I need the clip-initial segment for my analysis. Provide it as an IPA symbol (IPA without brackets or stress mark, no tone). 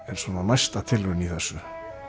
ɛ